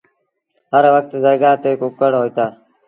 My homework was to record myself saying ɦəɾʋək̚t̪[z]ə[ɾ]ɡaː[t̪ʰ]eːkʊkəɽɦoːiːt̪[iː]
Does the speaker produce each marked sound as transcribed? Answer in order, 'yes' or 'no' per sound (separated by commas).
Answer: yes, yes, no, no